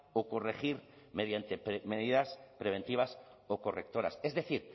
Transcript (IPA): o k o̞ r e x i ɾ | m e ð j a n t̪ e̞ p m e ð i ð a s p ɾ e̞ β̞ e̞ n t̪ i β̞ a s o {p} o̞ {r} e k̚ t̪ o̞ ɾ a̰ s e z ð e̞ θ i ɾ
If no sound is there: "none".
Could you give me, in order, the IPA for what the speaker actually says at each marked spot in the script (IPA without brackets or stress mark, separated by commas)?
k, r